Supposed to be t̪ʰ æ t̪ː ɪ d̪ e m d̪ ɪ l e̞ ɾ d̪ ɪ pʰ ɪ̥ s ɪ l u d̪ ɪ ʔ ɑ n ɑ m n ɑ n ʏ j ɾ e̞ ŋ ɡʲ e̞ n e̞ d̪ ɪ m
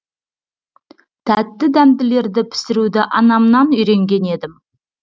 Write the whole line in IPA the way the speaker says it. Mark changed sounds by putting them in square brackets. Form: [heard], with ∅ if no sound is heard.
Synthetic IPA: t̪ʰ æ t̪ː ɪ d̪ [æ] m d̪ ɪ l e̞ ɾ d̪ ɪ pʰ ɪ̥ s ɪ [ɾ] u d̪ ɪ ʔ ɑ n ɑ m n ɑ n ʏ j ɾ e̞ ŋ ɡʲ e̞ n e̞ d̪ ɪ m